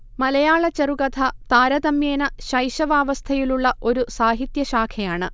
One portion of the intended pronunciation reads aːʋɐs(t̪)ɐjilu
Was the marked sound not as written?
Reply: yes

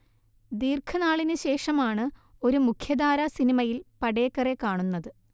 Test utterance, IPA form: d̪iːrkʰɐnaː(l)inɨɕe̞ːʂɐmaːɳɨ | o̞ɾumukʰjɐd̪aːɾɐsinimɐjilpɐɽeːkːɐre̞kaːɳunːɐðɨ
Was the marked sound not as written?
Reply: yes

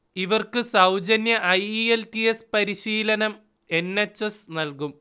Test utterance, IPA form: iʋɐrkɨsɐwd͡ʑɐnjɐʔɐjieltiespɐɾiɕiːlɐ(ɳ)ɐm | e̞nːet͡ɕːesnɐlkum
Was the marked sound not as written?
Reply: yes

